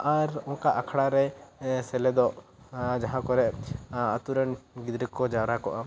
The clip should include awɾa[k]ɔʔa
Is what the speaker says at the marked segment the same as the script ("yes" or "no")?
yes